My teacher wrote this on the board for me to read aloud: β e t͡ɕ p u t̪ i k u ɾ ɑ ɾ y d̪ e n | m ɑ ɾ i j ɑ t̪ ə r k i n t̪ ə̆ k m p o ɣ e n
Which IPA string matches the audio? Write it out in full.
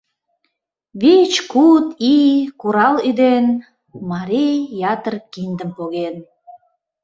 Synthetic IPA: β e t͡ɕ k u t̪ i k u ɾ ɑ l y d̪ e n | m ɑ ɾ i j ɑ t̪ ə r k i n d̪ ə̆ m p o ɣ e n